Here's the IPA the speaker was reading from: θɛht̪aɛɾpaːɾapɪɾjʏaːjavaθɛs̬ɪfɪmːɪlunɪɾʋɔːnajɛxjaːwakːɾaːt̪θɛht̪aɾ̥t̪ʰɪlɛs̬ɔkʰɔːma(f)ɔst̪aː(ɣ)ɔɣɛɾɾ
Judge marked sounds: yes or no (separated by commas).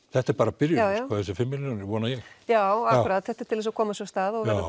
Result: no, no